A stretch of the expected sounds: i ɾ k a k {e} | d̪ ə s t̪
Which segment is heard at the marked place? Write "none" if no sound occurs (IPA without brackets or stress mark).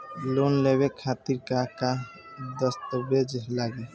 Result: a